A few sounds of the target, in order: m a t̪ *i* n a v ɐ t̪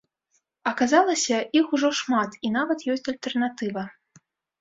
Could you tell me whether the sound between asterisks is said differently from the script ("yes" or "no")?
no